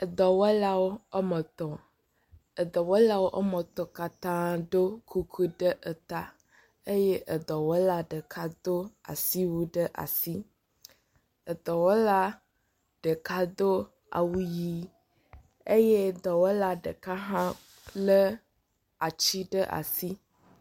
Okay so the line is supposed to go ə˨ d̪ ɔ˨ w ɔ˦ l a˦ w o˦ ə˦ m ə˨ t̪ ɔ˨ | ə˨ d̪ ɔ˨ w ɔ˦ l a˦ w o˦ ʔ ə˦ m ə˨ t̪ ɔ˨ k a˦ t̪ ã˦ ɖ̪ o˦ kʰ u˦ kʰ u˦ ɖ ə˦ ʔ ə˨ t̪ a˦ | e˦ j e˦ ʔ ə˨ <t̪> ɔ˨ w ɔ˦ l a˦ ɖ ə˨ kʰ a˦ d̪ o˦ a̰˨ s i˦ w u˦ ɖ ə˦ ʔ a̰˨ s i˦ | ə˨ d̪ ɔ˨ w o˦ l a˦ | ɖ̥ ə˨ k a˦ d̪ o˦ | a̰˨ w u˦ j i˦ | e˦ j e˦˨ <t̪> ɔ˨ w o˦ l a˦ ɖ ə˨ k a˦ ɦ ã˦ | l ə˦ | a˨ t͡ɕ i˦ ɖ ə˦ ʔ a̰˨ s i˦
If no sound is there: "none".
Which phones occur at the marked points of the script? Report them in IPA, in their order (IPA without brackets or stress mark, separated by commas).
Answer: d̪, d̪